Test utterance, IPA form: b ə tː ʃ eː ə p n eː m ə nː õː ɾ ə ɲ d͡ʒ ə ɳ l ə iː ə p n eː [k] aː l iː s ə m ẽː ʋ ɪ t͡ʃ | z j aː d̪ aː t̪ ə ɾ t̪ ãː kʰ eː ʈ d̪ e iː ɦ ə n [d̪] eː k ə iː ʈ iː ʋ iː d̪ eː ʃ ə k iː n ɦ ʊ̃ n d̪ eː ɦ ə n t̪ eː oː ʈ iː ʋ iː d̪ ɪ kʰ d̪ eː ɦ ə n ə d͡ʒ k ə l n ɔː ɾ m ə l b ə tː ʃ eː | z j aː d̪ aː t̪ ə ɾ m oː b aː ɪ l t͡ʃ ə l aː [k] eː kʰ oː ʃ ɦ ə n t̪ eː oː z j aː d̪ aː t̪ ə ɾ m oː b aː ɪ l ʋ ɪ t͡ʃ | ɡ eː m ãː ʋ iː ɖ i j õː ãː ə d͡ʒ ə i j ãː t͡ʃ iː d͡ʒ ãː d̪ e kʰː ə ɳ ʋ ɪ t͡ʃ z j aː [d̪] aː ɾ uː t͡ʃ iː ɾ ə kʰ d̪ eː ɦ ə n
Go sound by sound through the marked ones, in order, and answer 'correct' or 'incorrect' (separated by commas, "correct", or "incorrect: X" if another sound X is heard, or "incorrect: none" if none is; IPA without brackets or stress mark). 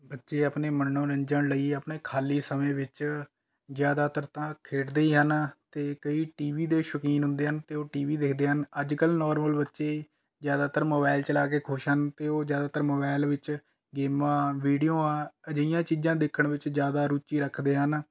incorrect: kʰ, incorrect: t̪, correct, correct